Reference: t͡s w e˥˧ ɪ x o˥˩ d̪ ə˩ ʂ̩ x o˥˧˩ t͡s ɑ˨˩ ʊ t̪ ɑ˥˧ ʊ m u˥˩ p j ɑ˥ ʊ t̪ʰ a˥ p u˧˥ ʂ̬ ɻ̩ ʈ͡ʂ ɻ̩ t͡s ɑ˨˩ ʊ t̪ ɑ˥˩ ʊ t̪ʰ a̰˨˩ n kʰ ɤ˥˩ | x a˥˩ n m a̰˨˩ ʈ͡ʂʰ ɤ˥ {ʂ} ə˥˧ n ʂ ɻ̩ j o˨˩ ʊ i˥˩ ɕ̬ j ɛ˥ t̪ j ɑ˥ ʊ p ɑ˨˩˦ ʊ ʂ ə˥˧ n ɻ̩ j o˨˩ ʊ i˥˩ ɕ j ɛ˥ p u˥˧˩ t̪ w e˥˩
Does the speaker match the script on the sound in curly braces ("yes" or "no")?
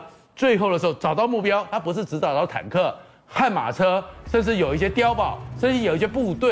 yes